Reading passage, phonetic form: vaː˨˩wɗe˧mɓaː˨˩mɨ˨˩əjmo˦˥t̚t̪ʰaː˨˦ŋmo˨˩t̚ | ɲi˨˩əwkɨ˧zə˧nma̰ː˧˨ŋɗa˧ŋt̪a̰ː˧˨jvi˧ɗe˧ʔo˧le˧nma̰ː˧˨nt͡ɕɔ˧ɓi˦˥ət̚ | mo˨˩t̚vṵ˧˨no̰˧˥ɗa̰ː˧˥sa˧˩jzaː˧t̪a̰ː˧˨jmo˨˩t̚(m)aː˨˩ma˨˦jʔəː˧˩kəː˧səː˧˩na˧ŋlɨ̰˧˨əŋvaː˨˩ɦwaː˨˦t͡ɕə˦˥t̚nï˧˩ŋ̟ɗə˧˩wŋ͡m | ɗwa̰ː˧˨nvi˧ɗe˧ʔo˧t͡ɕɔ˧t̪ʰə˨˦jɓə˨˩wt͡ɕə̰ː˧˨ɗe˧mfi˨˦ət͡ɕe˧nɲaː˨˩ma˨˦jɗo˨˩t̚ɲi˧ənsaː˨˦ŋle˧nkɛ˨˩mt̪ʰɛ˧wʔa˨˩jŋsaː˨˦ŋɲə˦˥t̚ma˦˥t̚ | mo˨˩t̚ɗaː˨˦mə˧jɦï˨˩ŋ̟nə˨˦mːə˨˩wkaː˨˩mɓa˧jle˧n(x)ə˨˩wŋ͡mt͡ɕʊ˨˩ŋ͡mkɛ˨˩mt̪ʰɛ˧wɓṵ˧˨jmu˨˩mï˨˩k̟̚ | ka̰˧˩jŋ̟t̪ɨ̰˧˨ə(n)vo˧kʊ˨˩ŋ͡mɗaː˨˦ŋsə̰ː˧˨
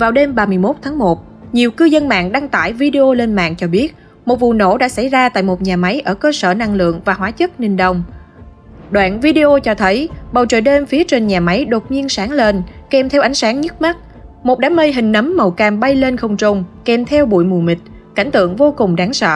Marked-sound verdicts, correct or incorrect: incorrect: ɲ, correct, incorrect: ŋ

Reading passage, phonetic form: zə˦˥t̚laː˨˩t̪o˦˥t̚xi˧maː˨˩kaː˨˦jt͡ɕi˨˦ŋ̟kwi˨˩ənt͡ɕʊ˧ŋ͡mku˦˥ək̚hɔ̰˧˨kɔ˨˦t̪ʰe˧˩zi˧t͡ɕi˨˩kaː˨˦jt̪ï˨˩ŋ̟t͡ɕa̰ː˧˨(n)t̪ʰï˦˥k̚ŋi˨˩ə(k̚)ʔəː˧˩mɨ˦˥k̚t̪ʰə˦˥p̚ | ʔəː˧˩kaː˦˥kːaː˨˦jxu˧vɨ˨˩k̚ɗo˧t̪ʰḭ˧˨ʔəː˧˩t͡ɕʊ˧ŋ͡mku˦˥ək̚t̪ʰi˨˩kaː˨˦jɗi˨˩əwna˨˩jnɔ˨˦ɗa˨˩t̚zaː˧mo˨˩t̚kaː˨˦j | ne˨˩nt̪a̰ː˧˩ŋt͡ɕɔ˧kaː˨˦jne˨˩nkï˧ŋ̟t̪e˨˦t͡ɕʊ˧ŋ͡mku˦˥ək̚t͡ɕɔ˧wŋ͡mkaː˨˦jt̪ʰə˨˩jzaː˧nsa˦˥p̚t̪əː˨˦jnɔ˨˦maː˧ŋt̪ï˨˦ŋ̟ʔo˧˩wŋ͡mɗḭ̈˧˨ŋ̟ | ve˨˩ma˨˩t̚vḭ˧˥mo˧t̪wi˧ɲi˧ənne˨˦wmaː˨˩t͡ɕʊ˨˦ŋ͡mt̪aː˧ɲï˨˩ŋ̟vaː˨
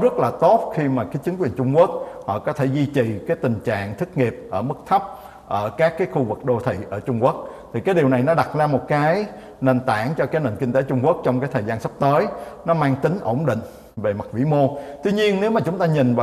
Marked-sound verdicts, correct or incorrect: incorrect: ŋ, incorrect: p̚

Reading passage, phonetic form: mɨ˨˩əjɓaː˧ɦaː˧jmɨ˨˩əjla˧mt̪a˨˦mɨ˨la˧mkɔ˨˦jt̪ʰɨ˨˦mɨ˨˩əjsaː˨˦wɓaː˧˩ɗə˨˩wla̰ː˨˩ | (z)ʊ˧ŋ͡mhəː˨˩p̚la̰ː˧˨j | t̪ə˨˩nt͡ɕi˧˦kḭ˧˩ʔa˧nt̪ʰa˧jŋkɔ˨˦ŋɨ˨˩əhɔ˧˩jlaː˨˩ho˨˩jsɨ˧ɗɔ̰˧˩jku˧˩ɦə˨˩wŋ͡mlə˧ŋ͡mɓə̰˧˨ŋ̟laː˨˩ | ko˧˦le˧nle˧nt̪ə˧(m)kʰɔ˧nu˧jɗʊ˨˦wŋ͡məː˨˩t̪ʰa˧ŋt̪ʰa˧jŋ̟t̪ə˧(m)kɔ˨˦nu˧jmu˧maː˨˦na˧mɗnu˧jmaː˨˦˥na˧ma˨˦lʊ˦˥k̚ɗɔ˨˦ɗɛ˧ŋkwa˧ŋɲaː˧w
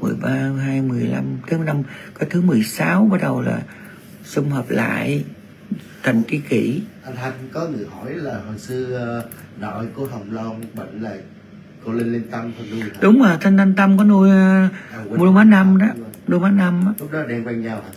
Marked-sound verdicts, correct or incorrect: incorrect: s, correct, correct

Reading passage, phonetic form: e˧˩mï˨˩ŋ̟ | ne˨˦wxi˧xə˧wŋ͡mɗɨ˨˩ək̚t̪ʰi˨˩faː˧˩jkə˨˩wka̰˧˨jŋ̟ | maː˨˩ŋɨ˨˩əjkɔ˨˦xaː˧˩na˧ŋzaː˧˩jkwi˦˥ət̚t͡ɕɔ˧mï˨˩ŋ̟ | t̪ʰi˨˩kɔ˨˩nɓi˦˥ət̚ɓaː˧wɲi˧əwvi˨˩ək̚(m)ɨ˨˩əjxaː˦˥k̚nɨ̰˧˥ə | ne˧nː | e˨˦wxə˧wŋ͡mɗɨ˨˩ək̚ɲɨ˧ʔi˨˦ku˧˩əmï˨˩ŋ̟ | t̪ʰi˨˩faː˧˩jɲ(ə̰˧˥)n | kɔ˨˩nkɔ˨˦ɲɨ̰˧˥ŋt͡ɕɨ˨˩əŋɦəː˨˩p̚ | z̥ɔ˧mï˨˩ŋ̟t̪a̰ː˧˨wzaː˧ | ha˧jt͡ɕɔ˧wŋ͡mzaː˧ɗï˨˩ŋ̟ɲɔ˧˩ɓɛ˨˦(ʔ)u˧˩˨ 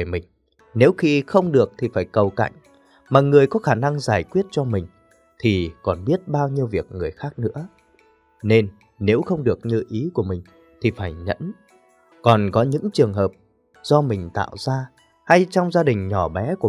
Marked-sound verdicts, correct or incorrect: incorrect: ŋ, correct, incorrect: k

